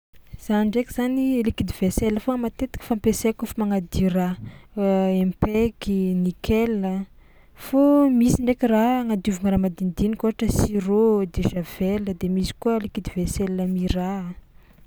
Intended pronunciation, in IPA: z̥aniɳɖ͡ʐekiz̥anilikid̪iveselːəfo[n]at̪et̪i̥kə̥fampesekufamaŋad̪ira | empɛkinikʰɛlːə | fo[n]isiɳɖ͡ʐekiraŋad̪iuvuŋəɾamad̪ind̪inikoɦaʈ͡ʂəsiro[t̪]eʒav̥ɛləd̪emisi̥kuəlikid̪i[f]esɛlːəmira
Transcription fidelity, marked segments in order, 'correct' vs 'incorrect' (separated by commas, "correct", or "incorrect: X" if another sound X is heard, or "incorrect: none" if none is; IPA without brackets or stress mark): incorrect: m, incorrect: m, incorrect: d̪, incorrect: v